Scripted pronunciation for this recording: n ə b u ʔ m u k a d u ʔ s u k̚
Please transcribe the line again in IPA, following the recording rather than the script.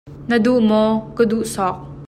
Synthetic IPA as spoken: n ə d u ʔ m ɔ k ə d u ʔ s ɔ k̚